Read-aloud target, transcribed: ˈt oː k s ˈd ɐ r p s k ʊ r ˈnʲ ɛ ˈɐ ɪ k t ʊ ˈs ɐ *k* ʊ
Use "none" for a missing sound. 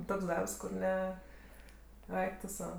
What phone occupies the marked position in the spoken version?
none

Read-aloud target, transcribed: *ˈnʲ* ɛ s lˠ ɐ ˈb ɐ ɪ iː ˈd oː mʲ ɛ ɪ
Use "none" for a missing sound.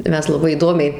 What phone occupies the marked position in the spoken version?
mʲ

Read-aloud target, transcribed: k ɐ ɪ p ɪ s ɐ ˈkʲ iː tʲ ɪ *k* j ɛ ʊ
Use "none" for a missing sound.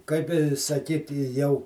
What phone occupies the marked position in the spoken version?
none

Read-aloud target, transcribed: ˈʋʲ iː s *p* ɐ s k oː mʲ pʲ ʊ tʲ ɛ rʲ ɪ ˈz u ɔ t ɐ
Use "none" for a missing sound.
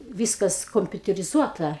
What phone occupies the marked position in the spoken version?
k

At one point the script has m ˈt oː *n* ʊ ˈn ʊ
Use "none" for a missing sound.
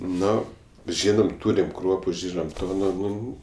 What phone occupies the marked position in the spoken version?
n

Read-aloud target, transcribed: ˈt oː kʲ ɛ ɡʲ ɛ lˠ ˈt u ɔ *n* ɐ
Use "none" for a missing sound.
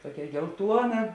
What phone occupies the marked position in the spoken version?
n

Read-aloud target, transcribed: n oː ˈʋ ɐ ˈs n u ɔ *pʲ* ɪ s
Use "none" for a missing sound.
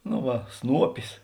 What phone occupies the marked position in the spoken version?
pʲ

